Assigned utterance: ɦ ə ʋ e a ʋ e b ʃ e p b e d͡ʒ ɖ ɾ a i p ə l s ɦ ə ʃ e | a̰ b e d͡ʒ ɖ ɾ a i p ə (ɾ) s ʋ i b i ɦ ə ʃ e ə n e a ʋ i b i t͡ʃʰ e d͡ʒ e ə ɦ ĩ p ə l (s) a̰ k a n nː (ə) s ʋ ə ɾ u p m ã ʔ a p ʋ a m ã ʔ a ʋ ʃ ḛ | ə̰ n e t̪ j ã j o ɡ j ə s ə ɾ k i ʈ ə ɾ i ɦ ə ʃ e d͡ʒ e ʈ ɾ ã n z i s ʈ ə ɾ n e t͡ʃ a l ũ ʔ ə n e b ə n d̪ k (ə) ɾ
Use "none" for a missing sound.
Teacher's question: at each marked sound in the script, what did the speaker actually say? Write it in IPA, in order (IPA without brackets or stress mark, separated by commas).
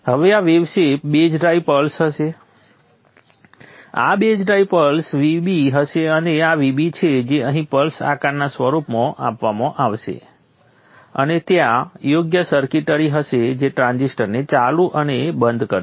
l, s, a, ə